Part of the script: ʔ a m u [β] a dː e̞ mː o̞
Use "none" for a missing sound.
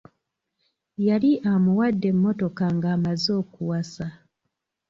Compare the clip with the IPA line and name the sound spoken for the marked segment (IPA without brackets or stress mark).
w